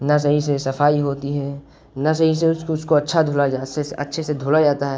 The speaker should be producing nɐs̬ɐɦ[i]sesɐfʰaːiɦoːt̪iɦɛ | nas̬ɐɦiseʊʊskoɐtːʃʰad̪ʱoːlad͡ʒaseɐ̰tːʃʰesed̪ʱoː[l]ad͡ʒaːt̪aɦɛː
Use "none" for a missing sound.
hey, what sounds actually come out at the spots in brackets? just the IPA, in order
i, l

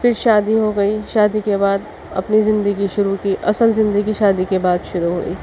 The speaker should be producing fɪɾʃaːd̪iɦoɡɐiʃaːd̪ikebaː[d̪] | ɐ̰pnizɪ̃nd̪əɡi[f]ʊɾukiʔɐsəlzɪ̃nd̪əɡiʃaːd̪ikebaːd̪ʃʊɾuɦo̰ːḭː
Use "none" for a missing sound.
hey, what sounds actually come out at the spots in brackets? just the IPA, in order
d̪, ʃ

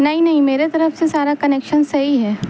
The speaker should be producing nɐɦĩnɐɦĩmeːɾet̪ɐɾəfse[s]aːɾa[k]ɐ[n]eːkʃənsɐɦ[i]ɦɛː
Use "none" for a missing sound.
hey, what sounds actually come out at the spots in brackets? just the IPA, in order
s, k, n, i

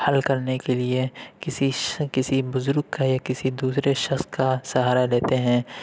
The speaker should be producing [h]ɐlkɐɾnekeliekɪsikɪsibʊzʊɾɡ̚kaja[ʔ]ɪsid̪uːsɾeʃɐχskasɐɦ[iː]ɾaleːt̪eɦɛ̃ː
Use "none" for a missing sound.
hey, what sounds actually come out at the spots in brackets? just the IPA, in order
h, k, aː

